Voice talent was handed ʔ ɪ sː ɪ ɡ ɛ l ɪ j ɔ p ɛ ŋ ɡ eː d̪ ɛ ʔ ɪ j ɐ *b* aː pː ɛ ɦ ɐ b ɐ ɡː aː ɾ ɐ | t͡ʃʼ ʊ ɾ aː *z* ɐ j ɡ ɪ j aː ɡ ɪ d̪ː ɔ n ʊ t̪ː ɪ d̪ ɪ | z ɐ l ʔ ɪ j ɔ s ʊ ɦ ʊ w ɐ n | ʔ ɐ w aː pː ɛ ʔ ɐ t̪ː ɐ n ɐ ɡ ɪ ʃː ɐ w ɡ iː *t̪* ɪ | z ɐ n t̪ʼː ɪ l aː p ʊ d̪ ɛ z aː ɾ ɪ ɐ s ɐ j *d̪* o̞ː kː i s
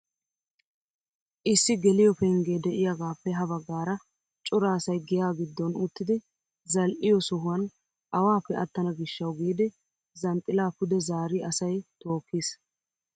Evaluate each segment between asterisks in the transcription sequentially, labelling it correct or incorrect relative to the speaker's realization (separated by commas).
incorrect, incorrect, incorrect, incorrect